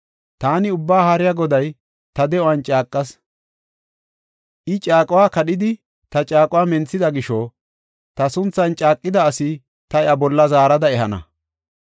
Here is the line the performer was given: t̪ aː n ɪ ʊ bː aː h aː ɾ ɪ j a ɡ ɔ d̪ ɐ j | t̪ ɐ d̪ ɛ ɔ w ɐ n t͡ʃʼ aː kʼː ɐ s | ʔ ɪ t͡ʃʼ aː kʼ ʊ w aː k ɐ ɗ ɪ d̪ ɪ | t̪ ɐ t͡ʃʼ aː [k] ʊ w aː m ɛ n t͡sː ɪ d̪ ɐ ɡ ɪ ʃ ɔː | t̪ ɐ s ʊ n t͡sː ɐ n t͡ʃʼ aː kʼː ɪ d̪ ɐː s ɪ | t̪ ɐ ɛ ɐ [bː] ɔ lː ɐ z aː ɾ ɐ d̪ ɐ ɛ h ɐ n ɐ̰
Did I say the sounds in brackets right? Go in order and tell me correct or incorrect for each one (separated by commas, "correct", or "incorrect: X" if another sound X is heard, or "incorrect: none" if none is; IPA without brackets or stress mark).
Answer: incorrect: kʼ, incorrect: b